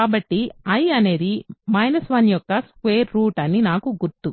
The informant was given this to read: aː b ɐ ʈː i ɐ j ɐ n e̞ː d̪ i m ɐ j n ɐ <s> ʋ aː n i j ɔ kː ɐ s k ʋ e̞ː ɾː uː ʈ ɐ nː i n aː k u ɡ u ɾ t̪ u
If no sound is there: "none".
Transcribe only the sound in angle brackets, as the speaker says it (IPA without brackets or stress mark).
s